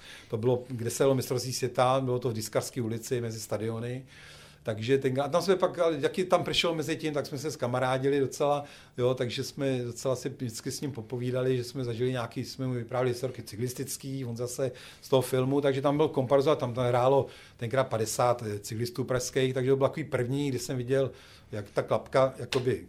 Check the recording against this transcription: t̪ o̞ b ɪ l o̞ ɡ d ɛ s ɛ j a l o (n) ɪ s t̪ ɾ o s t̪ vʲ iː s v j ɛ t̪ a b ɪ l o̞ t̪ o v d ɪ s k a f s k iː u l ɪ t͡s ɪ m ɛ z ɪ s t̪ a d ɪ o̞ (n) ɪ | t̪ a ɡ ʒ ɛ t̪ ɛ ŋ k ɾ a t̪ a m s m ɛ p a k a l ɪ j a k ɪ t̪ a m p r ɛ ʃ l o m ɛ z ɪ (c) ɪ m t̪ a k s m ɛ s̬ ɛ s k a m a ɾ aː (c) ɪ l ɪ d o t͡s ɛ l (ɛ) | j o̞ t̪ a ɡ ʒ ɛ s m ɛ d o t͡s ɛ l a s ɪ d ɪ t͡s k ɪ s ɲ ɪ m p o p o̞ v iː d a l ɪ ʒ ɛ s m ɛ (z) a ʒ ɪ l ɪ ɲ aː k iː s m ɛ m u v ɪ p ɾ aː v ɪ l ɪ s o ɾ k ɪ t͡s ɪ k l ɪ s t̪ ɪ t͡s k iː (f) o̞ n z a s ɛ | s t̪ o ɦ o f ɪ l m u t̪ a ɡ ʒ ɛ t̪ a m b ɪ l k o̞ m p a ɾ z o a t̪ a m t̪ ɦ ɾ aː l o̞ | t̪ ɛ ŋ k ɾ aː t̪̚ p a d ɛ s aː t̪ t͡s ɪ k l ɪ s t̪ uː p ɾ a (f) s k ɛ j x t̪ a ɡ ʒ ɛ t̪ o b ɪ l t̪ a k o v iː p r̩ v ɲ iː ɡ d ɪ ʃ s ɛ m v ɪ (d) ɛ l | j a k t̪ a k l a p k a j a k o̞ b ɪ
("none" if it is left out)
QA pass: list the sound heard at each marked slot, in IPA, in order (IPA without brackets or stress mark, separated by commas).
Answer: m, n, c, ɟ, a, z, v, ʃ, ɟ